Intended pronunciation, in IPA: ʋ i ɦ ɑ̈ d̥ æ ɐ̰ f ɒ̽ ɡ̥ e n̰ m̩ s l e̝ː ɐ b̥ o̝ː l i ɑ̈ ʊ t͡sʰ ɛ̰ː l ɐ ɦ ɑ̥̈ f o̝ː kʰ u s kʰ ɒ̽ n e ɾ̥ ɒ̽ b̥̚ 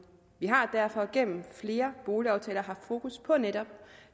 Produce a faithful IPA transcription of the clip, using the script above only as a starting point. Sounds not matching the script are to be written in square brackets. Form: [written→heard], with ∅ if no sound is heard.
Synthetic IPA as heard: ʋ i ɦ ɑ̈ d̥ æ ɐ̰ f ɒ̽ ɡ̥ e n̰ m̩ [s→f] l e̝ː ɐ b̥ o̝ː l i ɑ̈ ʊ t͡sʰ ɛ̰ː l ɐ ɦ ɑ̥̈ f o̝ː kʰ u s [kʰ→pʰ] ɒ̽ n e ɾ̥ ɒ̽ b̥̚